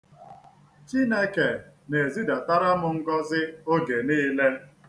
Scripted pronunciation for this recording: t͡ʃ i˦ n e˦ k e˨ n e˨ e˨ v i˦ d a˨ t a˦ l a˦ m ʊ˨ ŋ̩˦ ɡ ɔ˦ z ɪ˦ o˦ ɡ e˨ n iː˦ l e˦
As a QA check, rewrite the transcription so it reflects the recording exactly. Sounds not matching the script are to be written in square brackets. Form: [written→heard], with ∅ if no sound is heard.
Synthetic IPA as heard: t͡ʃ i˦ n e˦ k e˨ n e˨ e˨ [v→z] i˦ d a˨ t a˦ [l→ɾ] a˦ m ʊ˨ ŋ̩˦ ɡ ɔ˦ z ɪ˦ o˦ ɡ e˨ n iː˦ l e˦